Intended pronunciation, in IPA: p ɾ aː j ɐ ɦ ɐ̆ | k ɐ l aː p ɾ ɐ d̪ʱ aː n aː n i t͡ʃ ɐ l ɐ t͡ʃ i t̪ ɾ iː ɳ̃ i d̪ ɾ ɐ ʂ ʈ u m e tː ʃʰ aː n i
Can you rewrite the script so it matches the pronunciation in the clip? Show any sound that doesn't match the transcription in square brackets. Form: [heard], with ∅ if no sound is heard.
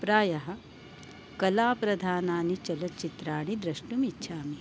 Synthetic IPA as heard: p ɾ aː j ɐ ɦ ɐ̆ | k ɐ l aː p ɾ ɐ d̪ʱ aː n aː n i t͡ʃ ɐ l ɐ t͡ʃ i t̪ ɾ [aː] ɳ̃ i d̪ ɾ ɐ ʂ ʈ u m [i] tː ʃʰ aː [m] i